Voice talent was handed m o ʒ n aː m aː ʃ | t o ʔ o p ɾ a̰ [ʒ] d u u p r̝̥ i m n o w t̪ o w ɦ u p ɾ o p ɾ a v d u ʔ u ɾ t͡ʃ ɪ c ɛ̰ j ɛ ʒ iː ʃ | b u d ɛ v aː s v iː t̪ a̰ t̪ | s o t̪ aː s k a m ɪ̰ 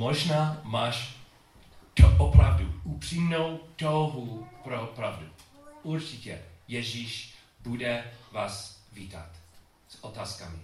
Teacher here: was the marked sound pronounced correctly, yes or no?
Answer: no